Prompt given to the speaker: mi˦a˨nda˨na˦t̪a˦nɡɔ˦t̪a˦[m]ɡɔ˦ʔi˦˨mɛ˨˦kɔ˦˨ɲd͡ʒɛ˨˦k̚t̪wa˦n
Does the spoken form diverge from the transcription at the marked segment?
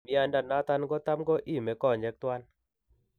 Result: no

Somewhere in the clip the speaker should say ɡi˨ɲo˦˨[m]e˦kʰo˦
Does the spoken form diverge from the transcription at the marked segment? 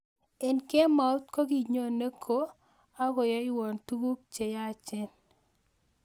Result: yes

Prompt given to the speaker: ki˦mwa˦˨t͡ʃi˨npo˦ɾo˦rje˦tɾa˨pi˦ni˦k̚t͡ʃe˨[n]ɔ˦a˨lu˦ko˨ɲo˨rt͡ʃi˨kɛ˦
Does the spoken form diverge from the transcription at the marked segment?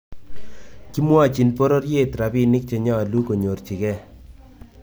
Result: yes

